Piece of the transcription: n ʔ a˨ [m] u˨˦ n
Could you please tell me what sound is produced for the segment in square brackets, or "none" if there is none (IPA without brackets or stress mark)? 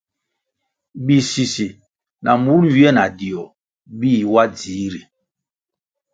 m